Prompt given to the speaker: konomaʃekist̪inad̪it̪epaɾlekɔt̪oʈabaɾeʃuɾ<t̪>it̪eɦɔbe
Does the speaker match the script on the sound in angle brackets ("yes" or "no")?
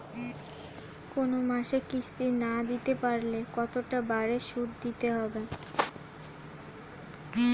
no